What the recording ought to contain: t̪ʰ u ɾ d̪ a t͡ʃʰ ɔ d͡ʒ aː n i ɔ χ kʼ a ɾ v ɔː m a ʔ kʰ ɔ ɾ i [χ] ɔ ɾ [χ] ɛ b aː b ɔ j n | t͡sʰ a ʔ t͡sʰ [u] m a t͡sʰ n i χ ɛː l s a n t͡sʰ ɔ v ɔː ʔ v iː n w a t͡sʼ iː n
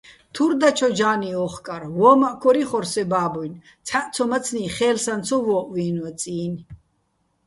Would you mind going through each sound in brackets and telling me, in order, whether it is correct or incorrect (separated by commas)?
correct, incorrect, incorrect